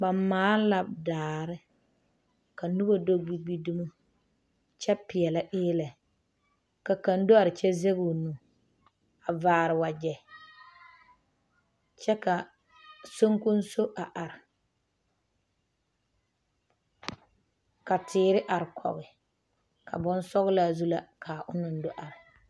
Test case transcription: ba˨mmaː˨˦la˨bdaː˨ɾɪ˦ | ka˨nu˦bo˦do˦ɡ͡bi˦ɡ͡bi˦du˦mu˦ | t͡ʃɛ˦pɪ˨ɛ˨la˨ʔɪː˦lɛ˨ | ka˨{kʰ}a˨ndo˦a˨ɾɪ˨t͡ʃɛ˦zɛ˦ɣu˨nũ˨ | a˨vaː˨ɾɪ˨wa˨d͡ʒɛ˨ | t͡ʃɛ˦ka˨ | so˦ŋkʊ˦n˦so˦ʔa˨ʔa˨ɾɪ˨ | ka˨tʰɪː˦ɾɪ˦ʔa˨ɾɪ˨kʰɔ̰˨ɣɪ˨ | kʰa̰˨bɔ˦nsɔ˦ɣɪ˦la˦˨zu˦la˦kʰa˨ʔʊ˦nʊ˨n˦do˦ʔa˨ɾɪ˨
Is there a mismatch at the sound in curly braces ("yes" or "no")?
yes